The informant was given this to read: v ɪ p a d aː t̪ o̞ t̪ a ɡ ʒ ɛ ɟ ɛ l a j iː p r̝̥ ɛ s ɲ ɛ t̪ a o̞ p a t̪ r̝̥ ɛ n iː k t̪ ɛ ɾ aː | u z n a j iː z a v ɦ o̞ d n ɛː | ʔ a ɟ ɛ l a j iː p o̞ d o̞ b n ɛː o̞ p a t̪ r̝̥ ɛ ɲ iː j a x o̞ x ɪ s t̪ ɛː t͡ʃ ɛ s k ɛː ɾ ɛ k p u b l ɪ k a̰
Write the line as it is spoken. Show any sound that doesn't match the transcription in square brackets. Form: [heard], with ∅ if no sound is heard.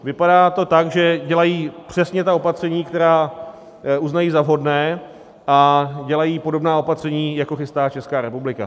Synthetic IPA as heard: v ɪ p a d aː t̪ o̞ t̪ a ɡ ʒ ɛ ɟ ɛ l a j iː p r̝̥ ɛ s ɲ ɛ t̪ a o̞ p a t̪ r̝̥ ɛ [ɲ] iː k t̪ ɛ ɾ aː | u z n a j iː z a v ɦ o̞ d n ɛː | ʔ a ɟ ɛ l a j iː p o̞ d o̞ b n [aː] o̞ p a t̪ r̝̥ ɛ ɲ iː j a [k] o̞ x ɪ s t̪ [aː] t͡ʃ ɛ s k [aː] ɾ ɛ [∅] p u b l ɪ k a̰